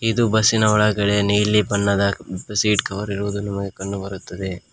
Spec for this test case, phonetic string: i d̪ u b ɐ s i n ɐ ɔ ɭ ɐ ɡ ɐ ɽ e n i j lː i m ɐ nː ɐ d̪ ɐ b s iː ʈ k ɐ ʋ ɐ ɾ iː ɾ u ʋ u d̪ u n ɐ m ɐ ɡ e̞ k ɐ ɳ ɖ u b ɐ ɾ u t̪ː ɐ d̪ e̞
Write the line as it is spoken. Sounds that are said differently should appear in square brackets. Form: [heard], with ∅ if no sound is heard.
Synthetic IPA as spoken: i d̪ u b ɐ s i n ɐ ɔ ɭ ɐ ɡ ɐ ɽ e n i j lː i [b] ɐ nː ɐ d̪ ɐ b s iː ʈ k ɐ ʋ ɐ ɾ [i] ɾ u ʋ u d̪ u n ɐ m ɐ ɡ e̞ k ɐ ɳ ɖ u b ɐ ɾ u t̪ː ɐ d̪ e̞